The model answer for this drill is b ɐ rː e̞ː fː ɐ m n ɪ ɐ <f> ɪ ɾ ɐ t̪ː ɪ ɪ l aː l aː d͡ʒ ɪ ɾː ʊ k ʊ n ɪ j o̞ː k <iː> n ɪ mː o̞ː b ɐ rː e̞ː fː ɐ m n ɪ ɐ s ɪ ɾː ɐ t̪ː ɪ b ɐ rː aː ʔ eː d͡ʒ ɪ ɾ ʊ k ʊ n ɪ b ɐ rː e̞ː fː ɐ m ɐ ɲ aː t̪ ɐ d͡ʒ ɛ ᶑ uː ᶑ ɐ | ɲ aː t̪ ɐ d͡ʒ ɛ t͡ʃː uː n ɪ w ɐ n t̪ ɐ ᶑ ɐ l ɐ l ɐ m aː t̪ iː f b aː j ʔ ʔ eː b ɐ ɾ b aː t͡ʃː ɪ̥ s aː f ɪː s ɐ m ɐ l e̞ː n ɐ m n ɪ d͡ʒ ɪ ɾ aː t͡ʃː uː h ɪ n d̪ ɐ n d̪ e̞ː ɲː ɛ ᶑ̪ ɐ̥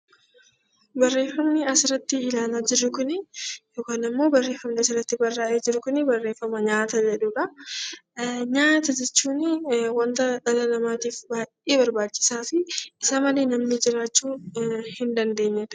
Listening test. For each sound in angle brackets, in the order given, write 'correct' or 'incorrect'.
incorrect: s, incorrect: aː

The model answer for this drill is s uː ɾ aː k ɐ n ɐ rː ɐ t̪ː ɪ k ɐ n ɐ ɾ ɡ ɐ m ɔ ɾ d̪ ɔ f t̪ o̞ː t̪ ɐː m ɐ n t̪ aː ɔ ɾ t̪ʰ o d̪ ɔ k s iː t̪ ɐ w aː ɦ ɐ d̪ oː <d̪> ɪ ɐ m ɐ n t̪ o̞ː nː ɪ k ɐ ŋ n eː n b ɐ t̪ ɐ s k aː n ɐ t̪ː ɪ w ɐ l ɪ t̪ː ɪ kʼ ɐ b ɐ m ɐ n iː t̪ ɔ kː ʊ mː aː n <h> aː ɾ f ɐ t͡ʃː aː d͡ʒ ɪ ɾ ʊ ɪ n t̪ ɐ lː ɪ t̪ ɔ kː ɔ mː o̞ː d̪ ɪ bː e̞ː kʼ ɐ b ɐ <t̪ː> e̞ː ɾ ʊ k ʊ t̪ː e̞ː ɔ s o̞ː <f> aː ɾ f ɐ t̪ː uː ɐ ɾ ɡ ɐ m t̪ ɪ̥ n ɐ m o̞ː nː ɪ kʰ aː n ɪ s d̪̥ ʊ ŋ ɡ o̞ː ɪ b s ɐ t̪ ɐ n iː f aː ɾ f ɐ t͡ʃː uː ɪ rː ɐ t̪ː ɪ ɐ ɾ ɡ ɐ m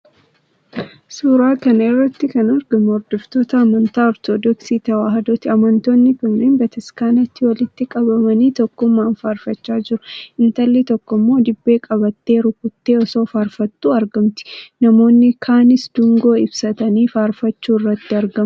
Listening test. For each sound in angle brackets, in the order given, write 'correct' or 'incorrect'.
incorrect: t̪, incorrect: f, correct, correct

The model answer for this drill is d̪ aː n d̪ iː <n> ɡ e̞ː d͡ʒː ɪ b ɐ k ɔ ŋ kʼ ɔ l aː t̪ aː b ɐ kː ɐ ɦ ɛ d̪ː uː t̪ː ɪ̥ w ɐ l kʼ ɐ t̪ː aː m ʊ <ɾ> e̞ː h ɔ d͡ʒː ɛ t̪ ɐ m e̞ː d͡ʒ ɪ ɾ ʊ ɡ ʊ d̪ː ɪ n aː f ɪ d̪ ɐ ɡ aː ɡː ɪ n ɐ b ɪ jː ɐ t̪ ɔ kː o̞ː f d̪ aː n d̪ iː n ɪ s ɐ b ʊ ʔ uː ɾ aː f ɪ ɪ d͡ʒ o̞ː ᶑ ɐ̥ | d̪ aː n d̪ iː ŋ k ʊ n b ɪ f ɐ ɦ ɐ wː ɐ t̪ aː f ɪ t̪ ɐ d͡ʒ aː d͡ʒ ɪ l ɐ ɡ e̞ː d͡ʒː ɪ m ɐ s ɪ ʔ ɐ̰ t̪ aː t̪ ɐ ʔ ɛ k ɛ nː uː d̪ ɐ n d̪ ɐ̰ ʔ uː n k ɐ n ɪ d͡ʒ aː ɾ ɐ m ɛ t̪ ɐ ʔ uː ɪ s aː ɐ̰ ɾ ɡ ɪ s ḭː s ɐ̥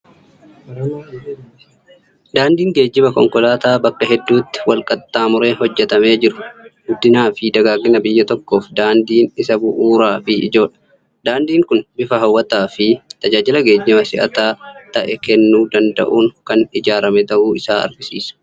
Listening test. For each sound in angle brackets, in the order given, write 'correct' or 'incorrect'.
incorrect: ŋ, correct

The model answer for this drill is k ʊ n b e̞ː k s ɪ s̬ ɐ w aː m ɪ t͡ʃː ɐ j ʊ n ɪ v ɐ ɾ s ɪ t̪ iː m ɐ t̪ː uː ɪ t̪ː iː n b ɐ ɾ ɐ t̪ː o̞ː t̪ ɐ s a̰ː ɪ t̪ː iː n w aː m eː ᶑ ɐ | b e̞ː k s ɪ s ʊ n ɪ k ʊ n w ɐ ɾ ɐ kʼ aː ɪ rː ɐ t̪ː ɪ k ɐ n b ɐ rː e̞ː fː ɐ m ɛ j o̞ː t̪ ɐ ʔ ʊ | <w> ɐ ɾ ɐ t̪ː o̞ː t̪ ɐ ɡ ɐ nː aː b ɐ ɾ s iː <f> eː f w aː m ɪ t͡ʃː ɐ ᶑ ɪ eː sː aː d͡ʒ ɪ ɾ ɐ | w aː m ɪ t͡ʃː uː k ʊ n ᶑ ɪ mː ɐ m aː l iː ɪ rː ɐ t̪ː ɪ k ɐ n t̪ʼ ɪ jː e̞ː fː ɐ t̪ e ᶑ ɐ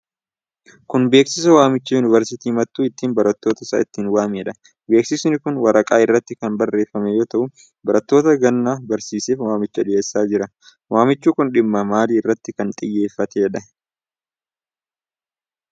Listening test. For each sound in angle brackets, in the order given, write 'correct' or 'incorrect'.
incorrect: b, incorrect: s

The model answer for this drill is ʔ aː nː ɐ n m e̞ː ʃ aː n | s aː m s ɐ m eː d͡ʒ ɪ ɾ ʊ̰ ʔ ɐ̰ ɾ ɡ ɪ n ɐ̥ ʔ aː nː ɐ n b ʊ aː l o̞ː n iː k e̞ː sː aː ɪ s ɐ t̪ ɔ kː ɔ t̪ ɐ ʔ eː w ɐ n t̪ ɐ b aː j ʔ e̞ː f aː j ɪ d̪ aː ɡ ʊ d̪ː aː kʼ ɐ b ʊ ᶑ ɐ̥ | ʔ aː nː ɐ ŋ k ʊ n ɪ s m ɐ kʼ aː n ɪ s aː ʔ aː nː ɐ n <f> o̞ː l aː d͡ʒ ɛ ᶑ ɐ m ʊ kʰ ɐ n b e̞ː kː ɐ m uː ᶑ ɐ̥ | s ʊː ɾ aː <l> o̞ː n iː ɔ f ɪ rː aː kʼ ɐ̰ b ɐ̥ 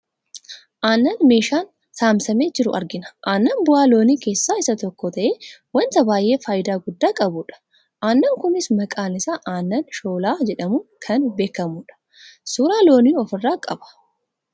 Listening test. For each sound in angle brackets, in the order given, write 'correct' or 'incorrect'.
incorrect: ʃ, correct

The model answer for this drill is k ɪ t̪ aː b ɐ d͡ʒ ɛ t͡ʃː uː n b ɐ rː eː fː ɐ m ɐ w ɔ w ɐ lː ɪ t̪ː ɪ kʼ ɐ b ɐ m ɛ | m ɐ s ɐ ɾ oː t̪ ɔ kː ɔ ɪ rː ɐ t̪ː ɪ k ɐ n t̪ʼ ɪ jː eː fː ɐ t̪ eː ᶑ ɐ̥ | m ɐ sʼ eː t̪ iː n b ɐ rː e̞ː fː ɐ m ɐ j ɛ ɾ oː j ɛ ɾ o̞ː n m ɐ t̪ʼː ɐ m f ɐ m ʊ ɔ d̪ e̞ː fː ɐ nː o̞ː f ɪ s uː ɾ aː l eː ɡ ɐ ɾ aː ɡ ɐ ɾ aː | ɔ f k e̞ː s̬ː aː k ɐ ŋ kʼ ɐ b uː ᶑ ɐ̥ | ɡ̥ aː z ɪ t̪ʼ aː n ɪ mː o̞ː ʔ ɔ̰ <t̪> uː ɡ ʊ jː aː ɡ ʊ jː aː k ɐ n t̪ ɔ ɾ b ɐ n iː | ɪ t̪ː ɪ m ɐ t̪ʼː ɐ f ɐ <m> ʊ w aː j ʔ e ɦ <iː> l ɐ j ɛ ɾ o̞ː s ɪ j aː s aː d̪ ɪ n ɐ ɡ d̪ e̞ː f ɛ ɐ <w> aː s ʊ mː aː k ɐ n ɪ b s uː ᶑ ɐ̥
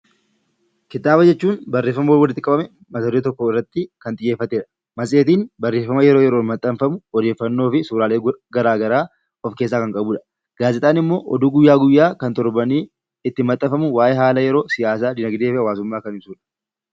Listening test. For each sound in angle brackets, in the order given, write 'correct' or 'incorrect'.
incorrect: d̪, correct, incorrect: aː, correct

